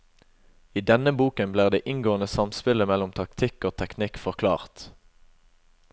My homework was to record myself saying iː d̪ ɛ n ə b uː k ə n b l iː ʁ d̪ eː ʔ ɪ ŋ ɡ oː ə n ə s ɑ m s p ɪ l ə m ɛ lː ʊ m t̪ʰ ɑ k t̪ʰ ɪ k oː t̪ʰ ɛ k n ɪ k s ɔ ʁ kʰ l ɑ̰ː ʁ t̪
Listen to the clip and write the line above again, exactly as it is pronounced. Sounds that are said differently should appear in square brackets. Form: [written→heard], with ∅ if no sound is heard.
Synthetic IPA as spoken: iː d̪ ɛ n ə b uː k ə n b l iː ʁ d̪ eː ʔ ɪ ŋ ɡ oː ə n ə s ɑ m s p ɪ l ə m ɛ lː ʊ m t̪ʰ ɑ k t̪ʰ ɪ k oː t̪ʰ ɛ k n ɪ k [s→f] ɔ ʁ kʰ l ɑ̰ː ʁ t̪